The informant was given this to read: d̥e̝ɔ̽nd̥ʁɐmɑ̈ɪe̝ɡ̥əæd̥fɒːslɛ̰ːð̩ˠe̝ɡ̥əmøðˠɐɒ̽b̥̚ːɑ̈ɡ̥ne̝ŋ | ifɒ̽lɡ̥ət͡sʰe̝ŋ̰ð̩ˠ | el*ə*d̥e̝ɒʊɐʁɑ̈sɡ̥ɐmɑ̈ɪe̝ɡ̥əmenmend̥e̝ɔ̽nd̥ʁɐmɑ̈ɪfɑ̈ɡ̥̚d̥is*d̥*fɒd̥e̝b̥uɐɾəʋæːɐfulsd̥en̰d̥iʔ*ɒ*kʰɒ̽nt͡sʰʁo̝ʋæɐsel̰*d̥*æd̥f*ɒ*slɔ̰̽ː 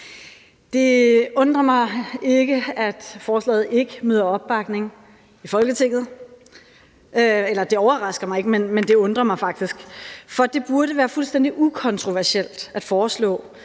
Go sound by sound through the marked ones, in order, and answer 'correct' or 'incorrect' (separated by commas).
incorrect, incorrect, incorrect, correct, incorrect